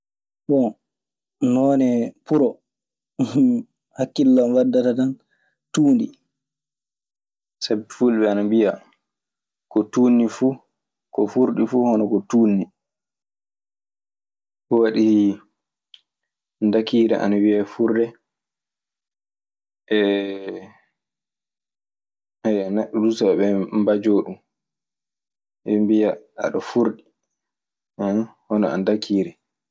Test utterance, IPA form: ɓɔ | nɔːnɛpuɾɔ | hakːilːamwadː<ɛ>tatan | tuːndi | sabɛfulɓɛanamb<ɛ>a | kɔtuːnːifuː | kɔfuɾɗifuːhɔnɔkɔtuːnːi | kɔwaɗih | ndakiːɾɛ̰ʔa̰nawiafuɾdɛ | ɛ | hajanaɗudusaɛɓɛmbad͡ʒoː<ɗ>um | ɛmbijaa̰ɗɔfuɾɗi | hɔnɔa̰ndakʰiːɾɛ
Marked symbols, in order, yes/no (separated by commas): no, no, yes